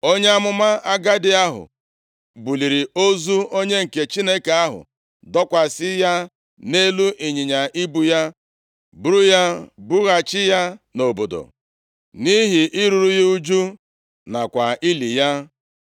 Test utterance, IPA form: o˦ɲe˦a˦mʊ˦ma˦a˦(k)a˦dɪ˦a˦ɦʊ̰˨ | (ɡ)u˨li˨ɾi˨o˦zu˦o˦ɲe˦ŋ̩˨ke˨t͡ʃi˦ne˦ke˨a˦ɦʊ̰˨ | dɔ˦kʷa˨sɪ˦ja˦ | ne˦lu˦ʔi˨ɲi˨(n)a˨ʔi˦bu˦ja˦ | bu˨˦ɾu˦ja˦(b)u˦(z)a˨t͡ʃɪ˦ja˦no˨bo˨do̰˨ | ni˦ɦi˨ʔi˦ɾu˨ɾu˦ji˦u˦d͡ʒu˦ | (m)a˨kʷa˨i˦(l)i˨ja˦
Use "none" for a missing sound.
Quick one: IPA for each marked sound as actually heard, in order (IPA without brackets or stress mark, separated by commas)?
ɡ, b, ɲ, b, ɣ, n, l